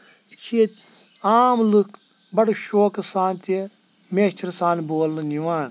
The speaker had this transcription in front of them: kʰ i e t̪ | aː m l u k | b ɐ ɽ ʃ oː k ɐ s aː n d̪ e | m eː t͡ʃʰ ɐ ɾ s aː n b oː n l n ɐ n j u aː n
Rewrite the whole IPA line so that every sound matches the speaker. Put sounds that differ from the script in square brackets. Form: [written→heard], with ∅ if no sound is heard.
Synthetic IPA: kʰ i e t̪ | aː m l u k | b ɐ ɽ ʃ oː k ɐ s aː n [d̪→t̪] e | m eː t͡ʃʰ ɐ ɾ s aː n b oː [n→∅] l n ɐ n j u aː n